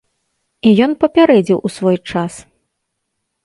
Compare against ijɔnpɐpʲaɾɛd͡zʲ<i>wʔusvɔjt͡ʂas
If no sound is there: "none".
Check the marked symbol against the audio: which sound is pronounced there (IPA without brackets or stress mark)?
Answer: i